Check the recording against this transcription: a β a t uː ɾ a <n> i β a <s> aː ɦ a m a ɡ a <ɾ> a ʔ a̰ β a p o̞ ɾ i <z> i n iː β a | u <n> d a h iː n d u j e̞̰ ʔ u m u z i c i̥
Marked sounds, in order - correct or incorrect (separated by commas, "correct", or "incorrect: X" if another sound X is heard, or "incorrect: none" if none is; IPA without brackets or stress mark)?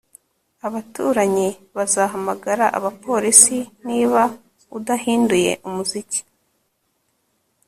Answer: incorrect: ɲ, incorrect: z, correct, incorrect: s, incorrect: none